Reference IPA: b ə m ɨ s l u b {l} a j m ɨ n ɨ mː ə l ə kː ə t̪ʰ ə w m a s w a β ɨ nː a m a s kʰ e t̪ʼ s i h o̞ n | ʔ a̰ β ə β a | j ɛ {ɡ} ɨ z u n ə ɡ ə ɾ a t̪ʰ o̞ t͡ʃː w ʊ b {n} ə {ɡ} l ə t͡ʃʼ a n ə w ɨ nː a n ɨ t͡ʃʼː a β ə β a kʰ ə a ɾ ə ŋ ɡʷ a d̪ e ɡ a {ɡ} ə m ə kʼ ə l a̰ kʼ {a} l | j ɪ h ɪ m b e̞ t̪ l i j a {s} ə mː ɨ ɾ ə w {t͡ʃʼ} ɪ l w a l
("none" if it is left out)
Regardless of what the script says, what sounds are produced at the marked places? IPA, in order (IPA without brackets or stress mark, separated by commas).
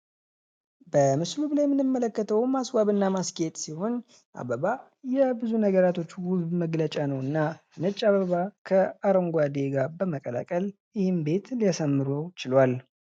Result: l, b, m, ɡ, b, ə, s, t͡ʃ